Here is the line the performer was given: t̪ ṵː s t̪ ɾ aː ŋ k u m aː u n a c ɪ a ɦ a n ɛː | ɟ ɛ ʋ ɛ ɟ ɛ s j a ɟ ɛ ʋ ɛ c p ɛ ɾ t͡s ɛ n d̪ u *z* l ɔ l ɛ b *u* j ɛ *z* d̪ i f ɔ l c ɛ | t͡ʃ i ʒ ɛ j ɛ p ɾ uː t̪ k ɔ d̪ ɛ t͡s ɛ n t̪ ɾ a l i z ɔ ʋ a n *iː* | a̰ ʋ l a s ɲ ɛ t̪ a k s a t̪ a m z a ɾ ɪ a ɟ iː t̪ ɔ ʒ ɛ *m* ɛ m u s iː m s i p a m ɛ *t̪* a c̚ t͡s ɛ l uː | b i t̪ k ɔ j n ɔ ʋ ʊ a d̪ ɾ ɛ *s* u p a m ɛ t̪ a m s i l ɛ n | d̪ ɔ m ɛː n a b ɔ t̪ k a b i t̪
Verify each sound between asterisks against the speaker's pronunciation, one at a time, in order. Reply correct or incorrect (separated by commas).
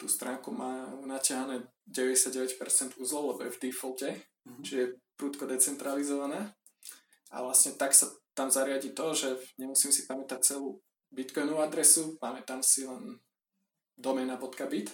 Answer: correct, incorrect, incorrect, incorrect, incorrect, correct, correct